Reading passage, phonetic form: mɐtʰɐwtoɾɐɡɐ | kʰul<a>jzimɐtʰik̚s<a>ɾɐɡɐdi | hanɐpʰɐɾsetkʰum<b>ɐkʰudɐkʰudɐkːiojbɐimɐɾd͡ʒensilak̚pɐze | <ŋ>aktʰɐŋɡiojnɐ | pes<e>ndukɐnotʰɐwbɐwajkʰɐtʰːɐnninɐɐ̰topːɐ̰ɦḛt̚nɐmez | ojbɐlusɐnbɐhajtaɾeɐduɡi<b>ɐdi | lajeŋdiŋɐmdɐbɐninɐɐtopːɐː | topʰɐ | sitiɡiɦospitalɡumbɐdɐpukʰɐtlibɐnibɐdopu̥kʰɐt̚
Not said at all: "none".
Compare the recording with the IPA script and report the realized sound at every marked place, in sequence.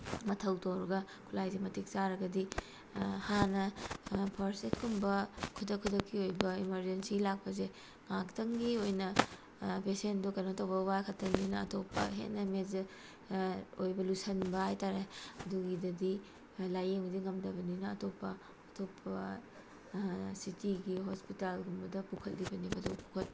a, a, b, ŋ, e, d

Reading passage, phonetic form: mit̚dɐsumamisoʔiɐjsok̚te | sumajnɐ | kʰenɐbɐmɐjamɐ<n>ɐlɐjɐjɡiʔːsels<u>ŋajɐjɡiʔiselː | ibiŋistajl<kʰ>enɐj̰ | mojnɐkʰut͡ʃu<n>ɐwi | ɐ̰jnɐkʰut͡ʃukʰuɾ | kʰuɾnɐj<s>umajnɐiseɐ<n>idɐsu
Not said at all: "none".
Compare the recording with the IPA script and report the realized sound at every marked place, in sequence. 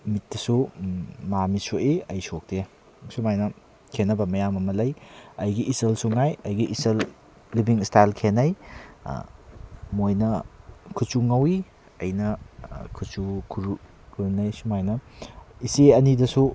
m, u, kʰ, ŋ, s, n

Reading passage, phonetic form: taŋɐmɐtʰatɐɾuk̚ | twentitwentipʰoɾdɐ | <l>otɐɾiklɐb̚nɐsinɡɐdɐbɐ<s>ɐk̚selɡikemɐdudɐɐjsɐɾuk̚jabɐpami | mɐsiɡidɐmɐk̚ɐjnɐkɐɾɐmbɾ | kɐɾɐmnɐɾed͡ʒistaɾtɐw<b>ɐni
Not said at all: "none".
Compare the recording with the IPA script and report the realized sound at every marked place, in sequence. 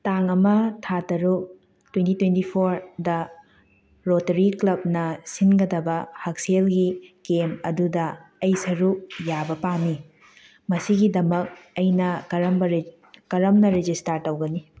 ɾ, h, ɡ

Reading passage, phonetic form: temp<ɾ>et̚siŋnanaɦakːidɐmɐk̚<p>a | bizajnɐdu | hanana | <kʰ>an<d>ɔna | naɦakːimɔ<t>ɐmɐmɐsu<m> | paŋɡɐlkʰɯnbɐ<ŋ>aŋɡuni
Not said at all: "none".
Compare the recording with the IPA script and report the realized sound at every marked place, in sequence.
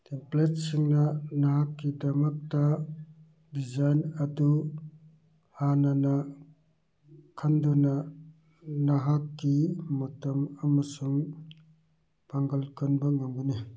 l, t, kʰ, d, t, ŋ, ŋ

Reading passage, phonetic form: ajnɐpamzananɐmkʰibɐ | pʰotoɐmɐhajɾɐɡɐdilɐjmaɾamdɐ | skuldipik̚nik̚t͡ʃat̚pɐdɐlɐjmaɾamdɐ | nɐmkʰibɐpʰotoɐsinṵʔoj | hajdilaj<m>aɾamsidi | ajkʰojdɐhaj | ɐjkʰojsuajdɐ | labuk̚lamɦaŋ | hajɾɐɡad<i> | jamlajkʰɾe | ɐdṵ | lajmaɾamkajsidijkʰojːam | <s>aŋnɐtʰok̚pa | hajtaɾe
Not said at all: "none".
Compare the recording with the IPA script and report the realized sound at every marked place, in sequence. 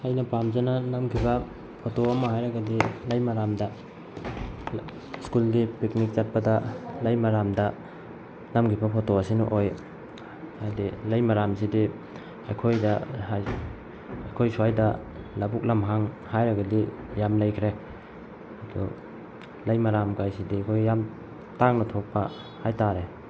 m, i, t

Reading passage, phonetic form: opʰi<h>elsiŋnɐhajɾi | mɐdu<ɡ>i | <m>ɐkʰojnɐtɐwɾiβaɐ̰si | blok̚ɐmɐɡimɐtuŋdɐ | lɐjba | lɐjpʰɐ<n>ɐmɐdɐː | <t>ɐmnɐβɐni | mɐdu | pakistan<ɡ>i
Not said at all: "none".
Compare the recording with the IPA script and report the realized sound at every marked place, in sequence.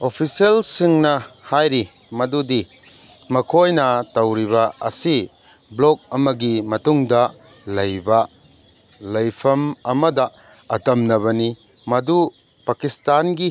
s, d, m, m, t, ɡ

